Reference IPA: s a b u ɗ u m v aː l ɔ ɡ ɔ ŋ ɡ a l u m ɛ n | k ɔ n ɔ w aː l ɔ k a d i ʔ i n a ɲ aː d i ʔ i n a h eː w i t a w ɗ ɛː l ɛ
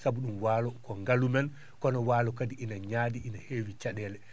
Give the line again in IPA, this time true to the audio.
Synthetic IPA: s a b u ɗ u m w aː l ɔ k ɔ ŋ ɡ a l u m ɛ n | k ɔ n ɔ w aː l ɔ k a d i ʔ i n a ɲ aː d i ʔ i n a h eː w i t͡ʃ a ɗ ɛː l ɛ